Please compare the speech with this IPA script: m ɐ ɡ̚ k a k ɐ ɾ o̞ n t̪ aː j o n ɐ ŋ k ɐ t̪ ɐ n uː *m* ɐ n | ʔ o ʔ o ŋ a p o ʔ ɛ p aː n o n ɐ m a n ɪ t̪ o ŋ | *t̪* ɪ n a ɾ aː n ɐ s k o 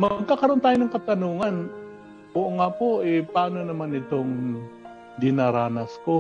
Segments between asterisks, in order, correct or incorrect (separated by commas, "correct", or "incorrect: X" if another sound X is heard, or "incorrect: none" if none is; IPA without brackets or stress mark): incorrect: ŋ, incorrect: d̪